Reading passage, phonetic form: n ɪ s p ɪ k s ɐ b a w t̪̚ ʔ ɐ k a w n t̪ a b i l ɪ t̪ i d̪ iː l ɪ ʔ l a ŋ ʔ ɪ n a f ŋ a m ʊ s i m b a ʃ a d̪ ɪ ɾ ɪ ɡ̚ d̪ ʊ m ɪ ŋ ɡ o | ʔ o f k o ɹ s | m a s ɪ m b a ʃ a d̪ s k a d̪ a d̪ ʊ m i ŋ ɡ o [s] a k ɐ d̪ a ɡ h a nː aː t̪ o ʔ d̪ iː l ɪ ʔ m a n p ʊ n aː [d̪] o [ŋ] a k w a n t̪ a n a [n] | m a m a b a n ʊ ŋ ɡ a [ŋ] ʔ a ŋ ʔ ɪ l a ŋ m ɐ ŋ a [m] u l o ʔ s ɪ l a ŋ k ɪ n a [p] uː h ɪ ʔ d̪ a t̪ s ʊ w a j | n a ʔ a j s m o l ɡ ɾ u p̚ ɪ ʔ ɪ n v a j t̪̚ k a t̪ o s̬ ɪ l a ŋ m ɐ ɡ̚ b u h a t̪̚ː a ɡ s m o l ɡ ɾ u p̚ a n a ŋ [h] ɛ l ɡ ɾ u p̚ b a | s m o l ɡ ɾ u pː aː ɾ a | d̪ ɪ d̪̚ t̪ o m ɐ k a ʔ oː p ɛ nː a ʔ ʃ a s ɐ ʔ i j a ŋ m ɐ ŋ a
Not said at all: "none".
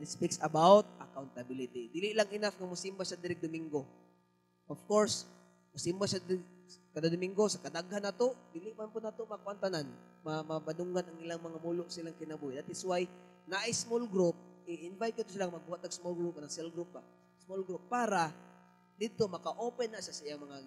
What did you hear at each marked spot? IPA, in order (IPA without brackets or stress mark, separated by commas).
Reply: s, t̪, m, n, n, m, b, s